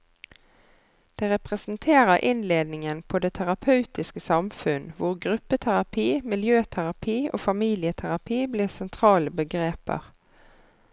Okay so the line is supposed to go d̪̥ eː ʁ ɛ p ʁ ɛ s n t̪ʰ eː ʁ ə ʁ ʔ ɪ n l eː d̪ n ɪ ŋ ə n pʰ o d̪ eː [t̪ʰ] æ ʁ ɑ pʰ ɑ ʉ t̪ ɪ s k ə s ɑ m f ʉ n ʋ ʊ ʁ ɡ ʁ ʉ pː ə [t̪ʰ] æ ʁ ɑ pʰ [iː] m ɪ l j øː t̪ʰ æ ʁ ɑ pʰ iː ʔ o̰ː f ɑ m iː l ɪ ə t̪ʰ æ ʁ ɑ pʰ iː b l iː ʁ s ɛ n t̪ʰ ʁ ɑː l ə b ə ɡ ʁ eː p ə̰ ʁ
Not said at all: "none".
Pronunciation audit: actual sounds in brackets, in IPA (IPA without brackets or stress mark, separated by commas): t̪ʰ, t̪ʰ, iː